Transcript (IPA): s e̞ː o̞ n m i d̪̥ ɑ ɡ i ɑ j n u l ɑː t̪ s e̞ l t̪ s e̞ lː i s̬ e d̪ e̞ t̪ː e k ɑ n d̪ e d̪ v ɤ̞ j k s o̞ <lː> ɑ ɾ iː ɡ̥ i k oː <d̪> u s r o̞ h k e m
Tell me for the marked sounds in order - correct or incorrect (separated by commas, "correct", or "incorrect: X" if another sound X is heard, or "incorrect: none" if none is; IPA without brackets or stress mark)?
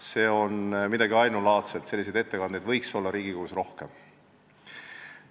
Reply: correct, incorrect: none